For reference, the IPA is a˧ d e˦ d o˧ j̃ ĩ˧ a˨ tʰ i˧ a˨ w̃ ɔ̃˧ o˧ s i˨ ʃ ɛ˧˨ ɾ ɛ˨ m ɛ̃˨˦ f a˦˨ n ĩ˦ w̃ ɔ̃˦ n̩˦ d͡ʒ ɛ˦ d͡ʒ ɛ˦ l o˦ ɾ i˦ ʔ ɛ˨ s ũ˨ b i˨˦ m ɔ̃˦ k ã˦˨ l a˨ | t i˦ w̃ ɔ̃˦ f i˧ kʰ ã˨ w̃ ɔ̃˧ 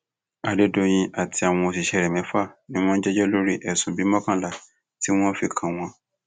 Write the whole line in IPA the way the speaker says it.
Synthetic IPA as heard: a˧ d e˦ d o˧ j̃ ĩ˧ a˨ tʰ i˧ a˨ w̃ ɔ̃˧ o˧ s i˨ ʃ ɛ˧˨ ɾ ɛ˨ m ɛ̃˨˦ f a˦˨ n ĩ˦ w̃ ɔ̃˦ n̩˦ d͡ʒ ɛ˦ d͡ʒ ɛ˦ l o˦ ɾ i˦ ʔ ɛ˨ s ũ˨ b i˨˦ m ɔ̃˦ k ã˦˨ l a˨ | t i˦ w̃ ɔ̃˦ f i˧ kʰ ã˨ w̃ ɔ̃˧